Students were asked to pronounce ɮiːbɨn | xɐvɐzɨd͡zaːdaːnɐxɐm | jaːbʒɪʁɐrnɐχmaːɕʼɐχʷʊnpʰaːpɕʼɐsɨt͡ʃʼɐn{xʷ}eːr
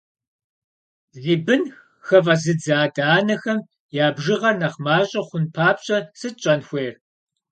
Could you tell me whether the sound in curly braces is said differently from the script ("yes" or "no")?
no